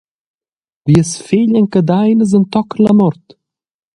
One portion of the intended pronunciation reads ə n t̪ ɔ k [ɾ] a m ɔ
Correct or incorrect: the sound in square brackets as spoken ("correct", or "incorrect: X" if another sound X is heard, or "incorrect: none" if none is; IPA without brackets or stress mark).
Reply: incorrect: l